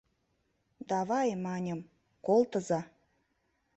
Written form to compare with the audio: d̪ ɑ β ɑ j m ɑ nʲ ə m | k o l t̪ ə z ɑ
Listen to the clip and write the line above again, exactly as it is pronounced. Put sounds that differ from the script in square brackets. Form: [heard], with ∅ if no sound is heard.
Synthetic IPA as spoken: d̪ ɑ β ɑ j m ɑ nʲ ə m | k o l t̪ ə z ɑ